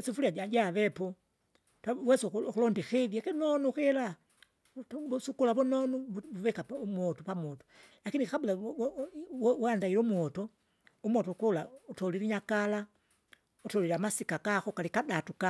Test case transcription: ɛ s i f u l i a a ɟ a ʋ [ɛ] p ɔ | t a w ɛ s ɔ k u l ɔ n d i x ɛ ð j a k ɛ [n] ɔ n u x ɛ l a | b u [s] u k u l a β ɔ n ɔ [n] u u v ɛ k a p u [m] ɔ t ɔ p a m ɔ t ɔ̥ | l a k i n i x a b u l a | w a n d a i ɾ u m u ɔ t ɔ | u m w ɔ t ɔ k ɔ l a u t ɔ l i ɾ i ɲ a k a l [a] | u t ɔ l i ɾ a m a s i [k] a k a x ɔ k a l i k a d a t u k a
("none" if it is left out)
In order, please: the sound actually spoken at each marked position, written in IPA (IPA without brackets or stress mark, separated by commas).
ɛ, n, s, n, m, a, k